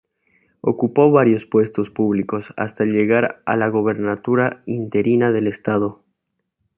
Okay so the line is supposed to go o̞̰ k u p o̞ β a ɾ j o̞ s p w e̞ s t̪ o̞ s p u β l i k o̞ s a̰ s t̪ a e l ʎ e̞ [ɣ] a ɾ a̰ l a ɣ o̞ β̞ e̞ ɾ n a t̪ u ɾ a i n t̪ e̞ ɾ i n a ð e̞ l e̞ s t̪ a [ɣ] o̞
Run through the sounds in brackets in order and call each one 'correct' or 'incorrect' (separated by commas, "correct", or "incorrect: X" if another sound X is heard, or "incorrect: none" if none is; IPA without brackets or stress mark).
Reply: correct, incorrect: ð